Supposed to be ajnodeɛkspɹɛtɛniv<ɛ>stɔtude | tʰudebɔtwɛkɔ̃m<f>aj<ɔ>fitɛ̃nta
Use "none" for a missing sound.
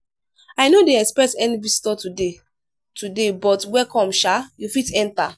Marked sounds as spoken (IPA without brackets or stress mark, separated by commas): i, ʃ, u